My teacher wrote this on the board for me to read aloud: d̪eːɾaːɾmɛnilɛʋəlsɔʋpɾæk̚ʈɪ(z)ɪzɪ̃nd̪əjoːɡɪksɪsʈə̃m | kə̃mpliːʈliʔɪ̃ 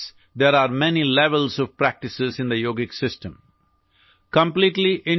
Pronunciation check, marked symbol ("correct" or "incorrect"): incorrect